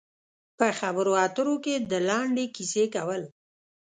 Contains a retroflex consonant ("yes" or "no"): yes